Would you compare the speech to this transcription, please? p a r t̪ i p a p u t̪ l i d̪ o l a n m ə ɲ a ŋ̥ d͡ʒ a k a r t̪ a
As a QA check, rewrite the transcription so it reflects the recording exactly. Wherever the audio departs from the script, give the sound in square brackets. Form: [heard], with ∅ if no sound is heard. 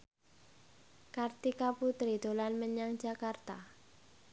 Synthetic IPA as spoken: [k] a r t̪ i [k] a p u t̪ [ɾ] i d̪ o l a n m ə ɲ a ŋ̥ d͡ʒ a k a r t̪ a